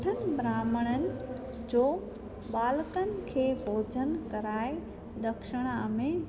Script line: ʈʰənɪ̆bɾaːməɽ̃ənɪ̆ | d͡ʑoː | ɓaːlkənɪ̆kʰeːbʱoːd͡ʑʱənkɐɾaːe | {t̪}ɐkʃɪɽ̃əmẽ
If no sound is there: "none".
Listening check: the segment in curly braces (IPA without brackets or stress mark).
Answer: d̪